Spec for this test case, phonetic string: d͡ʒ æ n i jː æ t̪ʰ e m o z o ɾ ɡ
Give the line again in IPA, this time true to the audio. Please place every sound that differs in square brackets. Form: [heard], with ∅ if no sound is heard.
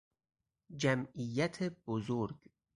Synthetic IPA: d͡ʒ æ [m] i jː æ t̪ʰ e [b] o z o ɾ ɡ